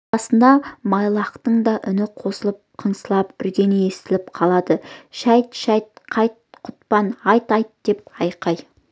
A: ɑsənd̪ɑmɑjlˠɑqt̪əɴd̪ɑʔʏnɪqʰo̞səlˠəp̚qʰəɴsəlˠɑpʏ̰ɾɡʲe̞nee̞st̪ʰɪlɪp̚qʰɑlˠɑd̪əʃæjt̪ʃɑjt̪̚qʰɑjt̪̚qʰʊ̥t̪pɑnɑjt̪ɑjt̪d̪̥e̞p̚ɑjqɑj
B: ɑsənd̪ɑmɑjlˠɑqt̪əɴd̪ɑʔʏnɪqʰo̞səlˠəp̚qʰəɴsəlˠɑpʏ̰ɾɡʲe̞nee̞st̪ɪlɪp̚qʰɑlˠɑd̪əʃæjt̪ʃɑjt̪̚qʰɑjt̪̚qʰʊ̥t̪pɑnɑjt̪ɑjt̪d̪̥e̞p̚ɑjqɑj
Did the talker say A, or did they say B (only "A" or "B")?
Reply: B